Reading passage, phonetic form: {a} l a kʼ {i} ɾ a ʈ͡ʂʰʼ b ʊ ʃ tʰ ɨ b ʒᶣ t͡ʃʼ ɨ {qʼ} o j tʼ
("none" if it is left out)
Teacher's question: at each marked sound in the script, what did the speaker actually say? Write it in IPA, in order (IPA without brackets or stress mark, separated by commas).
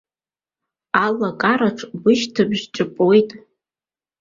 a, a, pʼ